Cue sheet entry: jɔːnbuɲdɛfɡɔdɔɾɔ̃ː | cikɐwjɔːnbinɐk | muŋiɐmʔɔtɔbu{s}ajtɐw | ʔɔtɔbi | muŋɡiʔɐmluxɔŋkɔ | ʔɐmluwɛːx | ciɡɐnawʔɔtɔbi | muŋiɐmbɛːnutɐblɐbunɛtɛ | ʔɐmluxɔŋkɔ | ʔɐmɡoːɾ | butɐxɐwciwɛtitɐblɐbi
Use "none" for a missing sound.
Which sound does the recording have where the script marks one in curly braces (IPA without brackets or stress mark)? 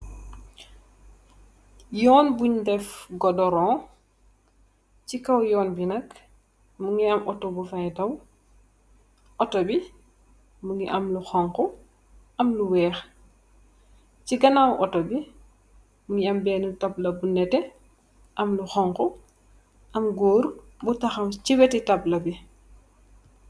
f